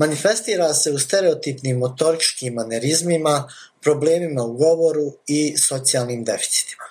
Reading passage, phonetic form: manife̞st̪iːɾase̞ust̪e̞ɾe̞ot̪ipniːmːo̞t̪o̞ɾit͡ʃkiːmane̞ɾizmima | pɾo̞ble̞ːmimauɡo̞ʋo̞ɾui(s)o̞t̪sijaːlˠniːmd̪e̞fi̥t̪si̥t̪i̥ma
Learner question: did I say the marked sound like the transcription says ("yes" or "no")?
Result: yes